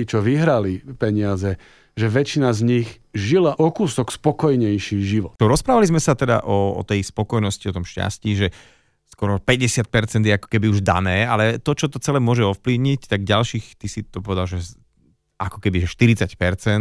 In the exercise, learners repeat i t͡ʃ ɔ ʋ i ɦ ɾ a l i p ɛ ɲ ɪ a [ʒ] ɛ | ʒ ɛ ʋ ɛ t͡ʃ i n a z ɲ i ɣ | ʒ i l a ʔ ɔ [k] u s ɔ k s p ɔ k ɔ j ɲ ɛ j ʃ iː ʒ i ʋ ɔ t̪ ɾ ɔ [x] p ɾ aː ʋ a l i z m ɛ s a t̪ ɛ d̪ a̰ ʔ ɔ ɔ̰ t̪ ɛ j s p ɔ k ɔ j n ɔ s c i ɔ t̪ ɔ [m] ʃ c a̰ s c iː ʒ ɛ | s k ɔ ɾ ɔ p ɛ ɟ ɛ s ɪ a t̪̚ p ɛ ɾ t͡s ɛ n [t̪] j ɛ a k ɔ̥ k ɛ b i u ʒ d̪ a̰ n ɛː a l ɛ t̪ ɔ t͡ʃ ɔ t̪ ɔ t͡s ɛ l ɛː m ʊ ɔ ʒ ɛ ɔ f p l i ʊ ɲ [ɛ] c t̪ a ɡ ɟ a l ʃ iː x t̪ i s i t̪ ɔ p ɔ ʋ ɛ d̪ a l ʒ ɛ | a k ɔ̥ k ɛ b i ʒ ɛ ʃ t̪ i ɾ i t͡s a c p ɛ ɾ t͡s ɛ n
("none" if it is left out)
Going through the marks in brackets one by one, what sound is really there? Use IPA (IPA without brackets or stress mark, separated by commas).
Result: z, k, s, m, d̪, i